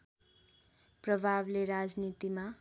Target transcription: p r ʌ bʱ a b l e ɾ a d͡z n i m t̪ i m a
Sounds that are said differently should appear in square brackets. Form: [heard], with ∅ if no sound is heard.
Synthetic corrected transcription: p r ʌ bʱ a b l e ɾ a d͡z n i [∅] t̪ i m a